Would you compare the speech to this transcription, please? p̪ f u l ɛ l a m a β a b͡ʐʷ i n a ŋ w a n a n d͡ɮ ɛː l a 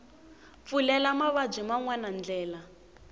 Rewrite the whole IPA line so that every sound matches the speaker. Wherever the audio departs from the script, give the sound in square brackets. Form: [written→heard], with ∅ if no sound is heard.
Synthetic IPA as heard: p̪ f u l ɛ l a m a β a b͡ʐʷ i [n→m] a ŋ w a n a n d͡ɮ ɛː l a